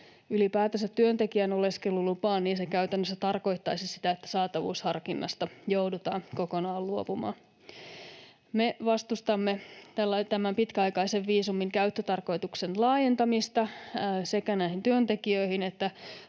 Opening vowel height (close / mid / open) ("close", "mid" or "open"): close